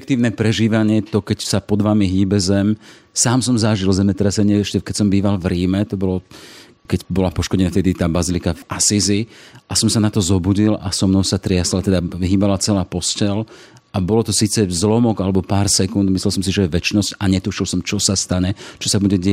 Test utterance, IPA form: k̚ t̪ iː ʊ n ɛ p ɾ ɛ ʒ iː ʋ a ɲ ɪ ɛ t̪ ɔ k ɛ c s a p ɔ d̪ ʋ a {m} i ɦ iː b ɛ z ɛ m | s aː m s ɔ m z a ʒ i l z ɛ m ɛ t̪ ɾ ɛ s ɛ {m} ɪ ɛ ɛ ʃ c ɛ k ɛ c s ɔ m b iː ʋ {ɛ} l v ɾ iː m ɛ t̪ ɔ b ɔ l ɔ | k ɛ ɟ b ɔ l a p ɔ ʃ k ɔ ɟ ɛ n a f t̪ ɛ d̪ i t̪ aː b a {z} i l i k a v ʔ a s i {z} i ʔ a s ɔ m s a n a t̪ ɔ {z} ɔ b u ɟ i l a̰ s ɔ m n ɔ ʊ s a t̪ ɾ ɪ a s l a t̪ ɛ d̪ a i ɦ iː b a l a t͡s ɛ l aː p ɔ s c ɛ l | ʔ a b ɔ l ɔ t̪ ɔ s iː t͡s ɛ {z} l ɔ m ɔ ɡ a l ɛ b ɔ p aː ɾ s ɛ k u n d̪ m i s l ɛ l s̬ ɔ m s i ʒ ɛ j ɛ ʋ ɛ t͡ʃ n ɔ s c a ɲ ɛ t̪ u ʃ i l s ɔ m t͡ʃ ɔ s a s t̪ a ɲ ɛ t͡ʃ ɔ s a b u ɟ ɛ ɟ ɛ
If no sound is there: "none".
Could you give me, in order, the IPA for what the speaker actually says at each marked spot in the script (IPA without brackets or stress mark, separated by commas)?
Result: m, ɲ, a, z, z, z, z